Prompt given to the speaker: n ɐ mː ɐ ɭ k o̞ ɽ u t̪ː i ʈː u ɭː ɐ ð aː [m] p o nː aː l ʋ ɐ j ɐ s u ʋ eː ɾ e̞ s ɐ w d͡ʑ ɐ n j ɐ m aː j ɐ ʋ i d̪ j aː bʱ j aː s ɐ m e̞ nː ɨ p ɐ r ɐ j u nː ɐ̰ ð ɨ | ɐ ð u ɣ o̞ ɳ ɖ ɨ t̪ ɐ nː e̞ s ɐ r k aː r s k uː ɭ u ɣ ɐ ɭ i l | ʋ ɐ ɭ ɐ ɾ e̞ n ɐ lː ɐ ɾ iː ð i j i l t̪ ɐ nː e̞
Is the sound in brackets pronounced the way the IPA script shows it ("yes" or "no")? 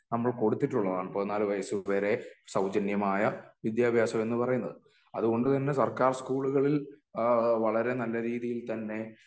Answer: no